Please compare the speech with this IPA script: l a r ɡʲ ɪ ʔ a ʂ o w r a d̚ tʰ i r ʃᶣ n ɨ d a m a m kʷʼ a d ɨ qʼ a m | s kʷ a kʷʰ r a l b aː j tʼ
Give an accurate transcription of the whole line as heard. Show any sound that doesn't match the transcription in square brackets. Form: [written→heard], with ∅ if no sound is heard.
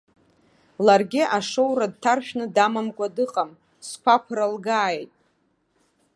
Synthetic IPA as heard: l a r ɡʲ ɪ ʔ a ʂ o w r a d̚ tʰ [i→a] r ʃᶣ n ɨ d a m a m kʷʼ a d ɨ qʼ a m | s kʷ a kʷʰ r a l [b→ɡ] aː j tʼ